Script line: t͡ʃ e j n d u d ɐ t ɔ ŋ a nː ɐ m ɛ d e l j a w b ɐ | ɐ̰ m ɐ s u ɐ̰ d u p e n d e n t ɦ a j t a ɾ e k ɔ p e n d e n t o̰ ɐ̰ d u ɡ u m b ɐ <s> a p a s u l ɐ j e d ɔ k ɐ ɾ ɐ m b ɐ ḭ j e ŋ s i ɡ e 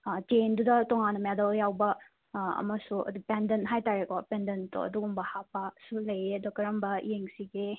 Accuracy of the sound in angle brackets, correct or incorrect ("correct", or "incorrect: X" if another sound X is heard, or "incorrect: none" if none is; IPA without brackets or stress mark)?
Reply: incorrect: h